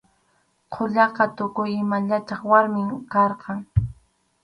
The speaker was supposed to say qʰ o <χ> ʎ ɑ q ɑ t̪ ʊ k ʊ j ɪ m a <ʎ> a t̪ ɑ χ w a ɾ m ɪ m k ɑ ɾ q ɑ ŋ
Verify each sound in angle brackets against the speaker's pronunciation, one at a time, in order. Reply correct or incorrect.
incorrect: none, correct

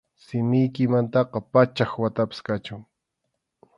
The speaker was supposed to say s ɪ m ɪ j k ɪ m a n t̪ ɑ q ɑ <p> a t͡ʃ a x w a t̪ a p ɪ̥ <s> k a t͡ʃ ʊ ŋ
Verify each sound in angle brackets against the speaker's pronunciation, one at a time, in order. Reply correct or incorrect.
correct, correct

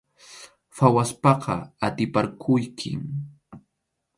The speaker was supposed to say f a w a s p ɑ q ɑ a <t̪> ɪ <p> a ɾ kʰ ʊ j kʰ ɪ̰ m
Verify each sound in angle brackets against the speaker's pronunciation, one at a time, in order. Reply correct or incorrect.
correct, correct

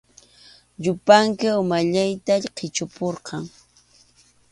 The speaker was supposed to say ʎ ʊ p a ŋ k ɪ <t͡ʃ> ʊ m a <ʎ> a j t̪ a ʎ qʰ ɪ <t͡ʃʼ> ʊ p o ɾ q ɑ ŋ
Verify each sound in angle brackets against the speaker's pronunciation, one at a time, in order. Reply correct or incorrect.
incorrect: none, correct, incorrect: t͡ʃ

